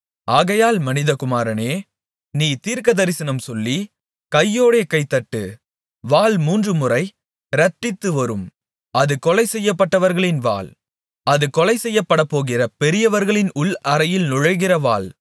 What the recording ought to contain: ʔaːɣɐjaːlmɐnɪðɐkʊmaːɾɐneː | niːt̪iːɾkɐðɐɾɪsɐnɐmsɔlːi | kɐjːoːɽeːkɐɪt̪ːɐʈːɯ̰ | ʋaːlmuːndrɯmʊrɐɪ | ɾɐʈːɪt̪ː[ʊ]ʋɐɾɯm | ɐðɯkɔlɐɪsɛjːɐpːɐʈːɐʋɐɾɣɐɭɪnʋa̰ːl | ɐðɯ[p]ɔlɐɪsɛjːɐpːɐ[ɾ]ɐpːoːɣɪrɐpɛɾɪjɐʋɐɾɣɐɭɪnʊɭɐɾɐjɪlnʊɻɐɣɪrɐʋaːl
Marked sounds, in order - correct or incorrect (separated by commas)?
incorrect, incorrect, incorrect